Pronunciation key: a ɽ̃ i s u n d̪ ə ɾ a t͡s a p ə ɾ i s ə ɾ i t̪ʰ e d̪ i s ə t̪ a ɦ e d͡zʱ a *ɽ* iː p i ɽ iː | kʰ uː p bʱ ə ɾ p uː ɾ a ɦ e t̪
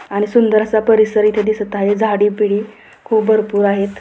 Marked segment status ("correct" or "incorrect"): correct